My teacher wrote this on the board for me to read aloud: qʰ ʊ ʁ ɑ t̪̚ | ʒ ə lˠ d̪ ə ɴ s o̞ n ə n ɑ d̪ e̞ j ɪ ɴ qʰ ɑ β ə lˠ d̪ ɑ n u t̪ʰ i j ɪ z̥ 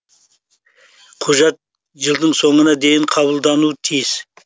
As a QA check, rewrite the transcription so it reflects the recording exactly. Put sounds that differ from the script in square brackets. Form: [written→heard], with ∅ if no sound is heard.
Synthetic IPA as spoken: qʰ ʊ [ʁ→ʒ] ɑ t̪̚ | ʒ ə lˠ d̪ ə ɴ s o̞ [n→ɴ] ə n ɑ d̪ e̞ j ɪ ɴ qʰ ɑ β ə lˠ d̪ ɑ n u t̪ʰ i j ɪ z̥

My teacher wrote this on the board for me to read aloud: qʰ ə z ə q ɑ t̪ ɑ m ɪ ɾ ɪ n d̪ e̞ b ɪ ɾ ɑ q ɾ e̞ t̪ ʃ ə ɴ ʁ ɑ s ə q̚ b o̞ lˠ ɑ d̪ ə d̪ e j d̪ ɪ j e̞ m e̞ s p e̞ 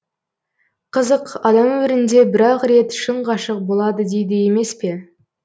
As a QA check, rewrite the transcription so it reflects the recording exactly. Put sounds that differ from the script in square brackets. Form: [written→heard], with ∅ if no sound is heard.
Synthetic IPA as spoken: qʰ ə z ə q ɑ [t̪→d̪] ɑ m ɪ ɾ ɪ n d̪ e̞ b ɪ ɾ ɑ q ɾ e̞ t̪ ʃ ə ɴ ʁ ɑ [s→ʃ] ə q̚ b o̞ lˠ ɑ d̪ ə d̪ e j d̪ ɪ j e̞ m e̞ s p e̞

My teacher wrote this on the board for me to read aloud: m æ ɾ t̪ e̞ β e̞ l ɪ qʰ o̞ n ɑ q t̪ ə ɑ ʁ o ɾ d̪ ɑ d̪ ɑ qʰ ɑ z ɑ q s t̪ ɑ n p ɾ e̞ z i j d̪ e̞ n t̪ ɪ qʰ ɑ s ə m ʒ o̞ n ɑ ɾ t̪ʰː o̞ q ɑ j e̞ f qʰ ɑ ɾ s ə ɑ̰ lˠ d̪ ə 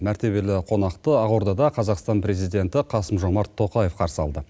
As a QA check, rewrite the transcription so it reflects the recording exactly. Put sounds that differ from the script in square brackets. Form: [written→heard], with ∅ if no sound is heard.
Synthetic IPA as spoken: m æ ɾ t̪ e̞ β e̞ l ɪ qʰ o̞ n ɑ q t̪ ə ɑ ʁ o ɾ d̪ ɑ d̪ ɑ qʰ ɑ z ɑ q s t̪ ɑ n p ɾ e̞ z i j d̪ e̞ n t̪ ɪ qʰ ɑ s ə m ʒ o̞ [n→m] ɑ ɾ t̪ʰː o̞ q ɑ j e̞ f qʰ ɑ ɾ s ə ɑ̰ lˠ d̪ ə

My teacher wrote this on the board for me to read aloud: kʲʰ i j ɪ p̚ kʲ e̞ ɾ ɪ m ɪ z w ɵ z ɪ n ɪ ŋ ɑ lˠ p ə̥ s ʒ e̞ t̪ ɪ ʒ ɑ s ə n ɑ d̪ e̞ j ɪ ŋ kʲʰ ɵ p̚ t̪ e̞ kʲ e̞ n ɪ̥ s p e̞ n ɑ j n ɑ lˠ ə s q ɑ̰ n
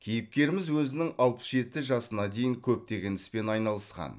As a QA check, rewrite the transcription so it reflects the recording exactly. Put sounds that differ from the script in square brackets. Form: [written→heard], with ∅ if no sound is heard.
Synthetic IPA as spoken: kʲʰ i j ɪ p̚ kʲ e̞ ɾ ɪ m ɪ z w ɵ z ɪ n ɪ ŋ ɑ lˠ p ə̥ s ʒ e̞ t̪ ɪ ʒ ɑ s ə n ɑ d̪ e̞ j ɪ ŋ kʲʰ ɵ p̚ t̪ e̞ [kʲ→ɡʲ] e̞ n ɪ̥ s p e̞ n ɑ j n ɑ lˠ ə s q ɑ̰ n

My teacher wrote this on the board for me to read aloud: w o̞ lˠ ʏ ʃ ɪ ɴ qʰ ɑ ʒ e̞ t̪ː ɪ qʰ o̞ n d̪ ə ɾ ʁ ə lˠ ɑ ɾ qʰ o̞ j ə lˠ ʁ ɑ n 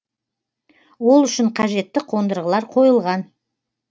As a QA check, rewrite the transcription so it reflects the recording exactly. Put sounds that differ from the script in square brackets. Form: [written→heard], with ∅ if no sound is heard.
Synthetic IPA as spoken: w o̞ lˠ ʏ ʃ ɪ ɴ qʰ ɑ ʒ e̞ t̪ː ɪ qʰ o̞ n d̪ ə ɾ ʁ ə lˠ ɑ ɾ qʰ o̞ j ə lˠ ʁ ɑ n

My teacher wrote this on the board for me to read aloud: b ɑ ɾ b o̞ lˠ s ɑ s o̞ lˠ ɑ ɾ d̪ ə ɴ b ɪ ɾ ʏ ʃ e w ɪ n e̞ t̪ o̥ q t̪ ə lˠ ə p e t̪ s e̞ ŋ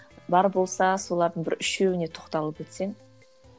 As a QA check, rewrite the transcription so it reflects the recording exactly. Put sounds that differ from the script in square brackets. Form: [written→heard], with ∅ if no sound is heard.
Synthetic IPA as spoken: b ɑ ɾ b o̞ lˠ s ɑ s o̞ lˠ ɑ ɾ d̪ ə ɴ b ɪ ɾ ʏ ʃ e w ɪ n e̞ [t̪→t̪ʰ] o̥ q t̪ [ə→ɑ] lˠ ə p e t̪ s e̞ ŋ

